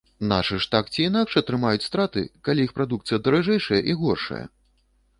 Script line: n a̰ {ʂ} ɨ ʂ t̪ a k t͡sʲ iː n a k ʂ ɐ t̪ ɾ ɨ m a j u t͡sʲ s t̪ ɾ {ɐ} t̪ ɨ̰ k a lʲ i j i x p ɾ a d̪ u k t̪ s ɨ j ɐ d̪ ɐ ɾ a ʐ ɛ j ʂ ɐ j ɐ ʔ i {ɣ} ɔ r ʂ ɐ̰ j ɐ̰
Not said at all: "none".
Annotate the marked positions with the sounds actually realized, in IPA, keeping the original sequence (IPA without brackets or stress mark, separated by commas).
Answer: ʂ, a, ɣ